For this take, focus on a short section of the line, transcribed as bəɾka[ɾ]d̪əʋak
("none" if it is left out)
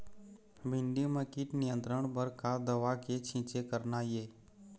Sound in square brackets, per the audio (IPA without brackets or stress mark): none